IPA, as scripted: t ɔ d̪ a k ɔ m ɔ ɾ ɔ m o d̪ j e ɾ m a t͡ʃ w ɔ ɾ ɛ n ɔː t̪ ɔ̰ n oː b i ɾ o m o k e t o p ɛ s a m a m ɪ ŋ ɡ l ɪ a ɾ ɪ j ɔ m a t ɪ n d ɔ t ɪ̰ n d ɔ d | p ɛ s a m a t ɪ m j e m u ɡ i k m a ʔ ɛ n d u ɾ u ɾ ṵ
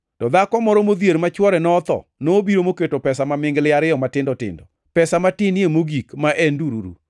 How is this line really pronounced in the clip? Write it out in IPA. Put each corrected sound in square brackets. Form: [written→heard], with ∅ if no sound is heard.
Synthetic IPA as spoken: t ɔ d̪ a k ɔ m ɔ ɾ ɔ m o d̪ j e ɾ m a t͡ʃ w ɔ ɾ ɛ n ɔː t̪ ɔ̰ n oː b i ɾ o m o k e t o p ɛ s a m a m ɪ ŋ ɡ l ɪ a ɾ ɪ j ɔ m a t ɪ n d ɔ t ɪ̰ n d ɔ [d→∅] | p ɛ s a m a t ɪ [m→n] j e m [u→o] ɡ i k m a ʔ ɛ n d u ɾ u ɾ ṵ